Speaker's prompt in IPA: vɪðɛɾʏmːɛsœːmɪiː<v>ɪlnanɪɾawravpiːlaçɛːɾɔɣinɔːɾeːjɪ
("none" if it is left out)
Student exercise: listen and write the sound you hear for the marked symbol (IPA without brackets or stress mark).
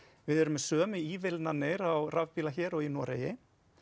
v